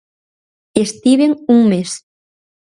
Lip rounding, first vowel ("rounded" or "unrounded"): unrounded